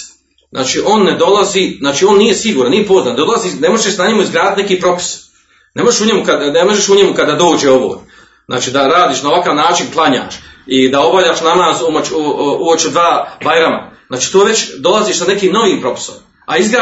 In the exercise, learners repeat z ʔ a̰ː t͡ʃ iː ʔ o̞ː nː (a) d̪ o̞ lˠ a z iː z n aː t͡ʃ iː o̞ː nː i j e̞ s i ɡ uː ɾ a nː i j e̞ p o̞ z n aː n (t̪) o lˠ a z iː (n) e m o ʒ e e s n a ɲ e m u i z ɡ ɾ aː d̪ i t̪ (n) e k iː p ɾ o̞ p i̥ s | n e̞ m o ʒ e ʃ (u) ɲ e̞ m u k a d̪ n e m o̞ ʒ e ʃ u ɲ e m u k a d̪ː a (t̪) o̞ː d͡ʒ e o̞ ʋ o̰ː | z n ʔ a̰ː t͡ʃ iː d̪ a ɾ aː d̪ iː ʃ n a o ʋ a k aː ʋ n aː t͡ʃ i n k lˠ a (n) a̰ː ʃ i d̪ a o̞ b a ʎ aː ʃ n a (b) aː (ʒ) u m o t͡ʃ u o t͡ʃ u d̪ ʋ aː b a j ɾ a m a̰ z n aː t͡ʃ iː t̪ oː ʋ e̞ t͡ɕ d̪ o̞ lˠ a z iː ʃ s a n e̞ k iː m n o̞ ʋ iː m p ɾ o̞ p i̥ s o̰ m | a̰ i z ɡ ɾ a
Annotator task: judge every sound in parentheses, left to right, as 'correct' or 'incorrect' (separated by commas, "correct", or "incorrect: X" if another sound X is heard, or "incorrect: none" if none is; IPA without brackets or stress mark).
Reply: incorrect: e, incorrect: d̪, correct, correct, correct, incorrect: d̪, incorrect: ɲ, incorrect: m, incorrect: z